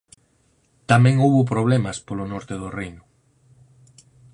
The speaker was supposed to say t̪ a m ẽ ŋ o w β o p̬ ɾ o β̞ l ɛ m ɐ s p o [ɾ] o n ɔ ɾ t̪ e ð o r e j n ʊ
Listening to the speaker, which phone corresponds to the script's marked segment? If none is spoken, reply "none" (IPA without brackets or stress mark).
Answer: l